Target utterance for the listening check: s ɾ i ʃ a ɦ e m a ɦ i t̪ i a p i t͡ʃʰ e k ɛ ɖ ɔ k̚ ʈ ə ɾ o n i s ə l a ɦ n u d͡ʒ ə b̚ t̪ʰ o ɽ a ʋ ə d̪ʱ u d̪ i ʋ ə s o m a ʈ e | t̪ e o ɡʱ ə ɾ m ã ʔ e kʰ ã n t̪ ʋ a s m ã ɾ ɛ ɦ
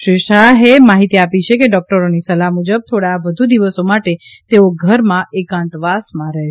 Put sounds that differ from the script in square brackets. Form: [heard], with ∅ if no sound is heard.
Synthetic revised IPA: [ʃ] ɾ i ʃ a ɦ e m a ɦ i t̪ i a p i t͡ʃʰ e k [e] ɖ ɔ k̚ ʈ ə ɾ o n i s ə l a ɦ [m] u d͡ʒ ə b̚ t̪ʰ o ɽ a ʋ ə d̪ʱ u d̪ i ʋ ə s o m a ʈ e | t̪ e o ɡʱ ə ɾ m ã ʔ e [k] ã n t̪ ʋ a s m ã ɾ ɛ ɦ